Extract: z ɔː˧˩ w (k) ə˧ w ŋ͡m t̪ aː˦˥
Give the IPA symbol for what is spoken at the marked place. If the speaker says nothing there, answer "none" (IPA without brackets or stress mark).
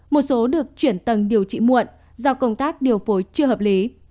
k